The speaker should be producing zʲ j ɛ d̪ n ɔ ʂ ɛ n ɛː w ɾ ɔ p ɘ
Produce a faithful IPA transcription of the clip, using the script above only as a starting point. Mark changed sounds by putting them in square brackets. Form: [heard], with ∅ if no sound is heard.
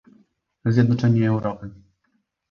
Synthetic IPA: zʲ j ɛ d̪ n ɔ [t͡ʂ] ɛ [ɲ] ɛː w ɾ ɔ p ɘ